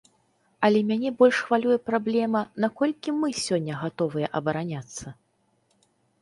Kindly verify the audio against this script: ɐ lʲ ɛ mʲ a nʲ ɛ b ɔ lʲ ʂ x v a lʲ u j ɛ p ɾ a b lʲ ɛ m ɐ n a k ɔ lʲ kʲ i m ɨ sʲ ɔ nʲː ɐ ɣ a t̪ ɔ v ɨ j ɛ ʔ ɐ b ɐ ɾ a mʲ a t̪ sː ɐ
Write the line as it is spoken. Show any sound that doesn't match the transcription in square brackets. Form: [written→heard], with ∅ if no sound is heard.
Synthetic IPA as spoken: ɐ lʲ ɛ mʲ a nʲ ɛ b ɔ lʲ ʂ x v a lʲ u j ɛ p ɾ a b lʲ ɛ m ɐ n a k ɔ lʲ kʲ i m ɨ sʲ ɔ nʲː ɐ ɣ a t̪ ɔ v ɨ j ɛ ʔ ɐ b ɐ ɾ a [mʲ→nʲ] a t̪ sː ɐ